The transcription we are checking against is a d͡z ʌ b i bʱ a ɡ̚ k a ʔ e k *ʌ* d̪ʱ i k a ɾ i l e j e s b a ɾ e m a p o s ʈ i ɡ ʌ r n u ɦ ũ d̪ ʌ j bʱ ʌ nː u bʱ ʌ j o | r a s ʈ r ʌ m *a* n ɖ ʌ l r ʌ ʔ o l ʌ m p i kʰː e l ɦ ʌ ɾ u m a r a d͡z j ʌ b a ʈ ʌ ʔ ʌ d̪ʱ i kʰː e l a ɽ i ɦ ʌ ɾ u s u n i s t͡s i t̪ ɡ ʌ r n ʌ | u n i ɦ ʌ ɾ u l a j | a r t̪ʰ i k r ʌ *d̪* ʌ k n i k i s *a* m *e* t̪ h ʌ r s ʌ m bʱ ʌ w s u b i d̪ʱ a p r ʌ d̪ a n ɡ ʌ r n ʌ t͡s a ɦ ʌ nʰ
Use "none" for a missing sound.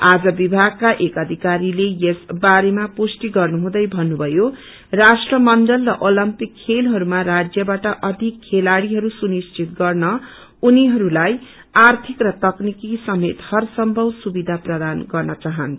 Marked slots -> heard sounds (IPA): ʌ, ʌ, t̪, ʌ, e

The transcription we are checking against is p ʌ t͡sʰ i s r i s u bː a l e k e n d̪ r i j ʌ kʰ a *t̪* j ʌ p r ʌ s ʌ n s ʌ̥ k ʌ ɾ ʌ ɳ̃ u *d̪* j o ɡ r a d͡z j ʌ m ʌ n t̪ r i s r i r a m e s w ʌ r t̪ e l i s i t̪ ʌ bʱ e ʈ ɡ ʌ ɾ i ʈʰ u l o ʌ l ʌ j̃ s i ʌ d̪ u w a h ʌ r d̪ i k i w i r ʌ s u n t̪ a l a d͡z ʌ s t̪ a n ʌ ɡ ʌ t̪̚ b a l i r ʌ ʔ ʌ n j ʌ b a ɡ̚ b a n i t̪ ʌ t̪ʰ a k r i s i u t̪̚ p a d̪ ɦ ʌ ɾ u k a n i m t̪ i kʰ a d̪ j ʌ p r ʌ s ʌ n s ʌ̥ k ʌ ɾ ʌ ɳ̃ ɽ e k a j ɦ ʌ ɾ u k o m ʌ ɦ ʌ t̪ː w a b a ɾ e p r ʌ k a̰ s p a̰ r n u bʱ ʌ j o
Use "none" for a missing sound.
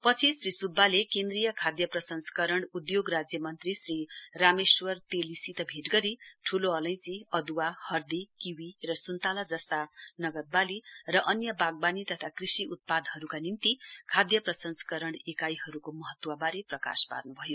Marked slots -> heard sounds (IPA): d̪, d̪

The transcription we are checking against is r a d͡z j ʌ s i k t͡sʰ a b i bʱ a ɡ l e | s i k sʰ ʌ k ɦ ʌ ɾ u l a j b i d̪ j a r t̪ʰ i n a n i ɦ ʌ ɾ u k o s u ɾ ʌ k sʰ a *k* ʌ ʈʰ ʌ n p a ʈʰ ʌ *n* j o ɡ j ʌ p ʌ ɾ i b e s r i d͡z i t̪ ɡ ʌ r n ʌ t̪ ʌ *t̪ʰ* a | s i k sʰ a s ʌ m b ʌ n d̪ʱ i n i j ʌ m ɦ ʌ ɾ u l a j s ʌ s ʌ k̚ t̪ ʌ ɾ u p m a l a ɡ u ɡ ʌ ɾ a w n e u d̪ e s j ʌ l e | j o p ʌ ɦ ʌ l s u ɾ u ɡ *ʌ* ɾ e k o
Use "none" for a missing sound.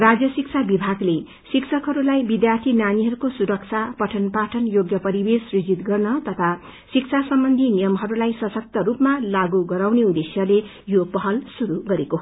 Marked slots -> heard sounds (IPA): p, n, t̪ʰ, ʌ

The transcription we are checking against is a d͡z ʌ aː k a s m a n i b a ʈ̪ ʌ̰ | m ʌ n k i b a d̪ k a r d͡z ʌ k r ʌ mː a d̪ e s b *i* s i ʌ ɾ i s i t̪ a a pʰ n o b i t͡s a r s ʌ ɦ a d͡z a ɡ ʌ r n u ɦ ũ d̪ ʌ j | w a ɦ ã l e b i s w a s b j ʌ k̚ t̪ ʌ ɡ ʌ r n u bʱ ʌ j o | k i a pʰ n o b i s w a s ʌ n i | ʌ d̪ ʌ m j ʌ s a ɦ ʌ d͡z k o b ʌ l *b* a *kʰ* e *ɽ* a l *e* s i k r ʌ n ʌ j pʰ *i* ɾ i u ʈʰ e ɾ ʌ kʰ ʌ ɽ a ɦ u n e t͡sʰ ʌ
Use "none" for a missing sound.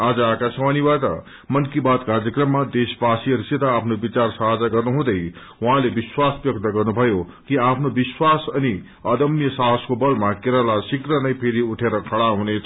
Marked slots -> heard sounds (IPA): a, m, k, ɾ, a, e

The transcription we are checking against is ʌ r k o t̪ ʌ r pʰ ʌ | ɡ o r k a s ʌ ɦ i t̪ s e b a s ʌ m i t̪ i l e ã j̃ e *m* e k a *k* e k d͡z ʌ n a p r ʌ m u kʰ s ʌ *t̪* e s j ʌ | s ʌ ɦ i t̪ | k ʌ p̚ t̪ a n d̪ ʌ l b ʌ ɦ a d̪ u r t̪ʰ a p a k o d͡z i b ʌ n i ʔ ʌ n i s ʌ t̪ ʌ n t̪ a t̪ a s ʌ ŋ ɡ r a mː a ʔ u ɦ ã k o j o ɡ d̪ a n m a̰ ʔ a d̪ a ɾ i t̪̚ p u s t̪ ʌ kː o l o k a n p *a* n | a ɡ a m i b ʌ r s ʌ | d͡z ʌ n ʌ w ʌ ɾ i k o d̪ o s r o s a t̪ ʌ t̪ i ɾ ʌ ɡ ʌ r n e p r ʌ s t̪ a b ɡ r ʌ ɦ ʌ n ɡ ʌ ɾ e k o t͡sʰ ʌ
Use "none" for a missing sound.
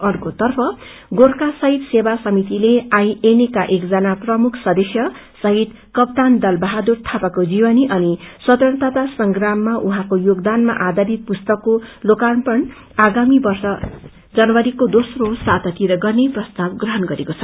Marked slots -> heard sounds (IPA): n, ʔ, d̪, ʌ

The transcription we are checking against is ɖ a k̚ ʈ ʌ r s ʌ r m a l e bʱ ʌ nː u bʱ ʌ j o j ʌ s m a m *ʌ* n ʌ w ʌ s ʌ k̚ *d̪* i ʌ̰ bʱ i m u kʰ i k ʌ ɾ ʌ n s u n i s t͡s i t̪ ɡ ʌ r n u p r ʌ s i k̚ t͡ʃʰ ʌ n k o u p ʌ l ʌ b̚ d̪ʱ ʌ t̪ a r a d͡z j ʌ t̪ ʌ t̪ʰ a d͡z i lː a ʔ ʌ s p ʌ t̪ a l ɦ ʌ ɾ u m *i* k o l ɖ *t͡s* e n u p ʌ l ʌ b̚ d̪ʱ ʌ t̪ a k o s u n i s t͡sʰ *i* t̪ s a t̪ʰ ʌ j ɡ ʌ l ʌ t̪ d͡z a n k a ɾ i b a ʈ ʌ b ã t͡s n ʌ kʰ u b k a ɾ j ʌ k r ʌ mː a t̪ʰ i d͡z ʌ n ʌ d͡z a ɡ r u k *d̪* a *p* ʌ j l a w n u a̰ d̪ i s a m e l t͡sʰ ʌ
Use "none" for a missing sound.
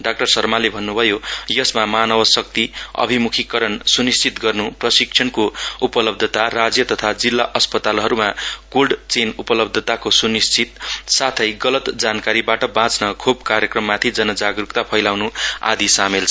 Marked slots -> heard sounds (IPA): a, t̪, a, t͡s, i, t̪, pʰ

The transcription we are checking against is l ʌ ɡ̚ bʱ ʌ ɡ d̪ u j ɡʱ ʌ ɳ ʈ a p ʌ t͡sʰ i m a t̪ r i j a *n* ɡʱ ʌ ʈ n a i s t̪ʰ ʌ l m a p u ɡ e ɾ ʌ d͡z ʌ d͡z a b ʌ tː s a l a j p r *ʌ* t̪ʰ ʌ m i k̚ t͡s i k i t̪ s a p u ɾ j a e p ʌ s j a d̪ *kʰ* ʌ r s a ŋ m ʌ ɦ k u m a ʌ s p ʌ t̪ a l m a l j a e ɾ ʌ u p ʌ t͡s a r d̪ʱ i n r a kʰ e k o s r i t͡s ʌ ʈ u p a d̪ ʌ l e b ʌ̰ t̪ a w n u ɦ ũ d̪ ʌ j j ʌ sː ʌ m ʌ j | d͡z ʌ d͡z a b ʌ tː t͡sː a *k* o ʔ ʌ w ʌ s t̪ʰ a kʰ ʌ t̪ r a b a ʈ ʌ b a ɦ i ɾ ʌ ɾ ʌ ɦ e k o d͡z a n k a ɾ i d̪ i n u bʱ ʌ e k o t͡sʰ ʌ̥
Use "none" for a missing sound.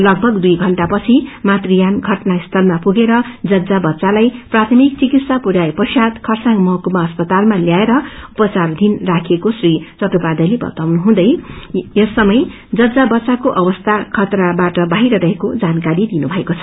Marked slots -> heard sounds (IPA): n, a, kʰ, k

